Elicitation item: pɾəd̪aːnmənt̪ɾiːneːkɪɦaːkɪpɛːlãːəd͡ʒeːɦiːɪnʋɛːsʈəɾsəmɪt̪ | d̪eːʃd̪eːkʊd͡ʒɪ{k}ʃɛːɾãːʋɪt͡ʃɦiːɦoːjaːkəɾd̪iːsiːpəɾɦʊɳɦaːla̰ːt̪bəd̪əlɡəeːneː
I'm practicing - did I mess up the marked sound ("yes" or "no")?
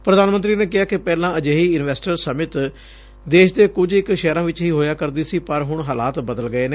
no